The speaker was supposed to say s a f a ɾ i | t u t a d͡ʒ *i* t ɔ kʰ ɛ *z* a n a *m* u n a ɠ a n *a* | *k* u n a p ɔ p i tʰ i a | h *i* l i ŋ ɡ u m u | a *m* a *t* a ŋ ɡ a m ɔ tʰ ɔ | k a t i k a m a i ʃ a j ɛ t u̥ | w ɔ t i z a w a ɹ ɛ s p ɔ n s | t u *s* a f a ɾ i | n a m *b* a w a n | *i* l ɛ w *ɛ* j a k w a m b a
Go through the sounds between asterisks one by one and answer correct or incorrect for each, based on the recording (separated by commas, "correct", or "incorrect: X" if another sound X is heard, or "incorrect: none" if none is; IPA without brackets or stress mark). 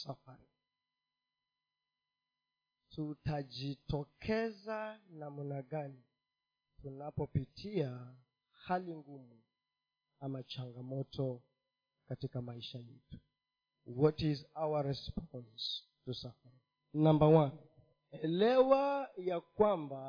correct, correct, correct, incorrect: i, incorrect: t, incorrect: a, correct, incorrect: t͡ʃ, correct, correct, incorrect: ɛ, incorrect: a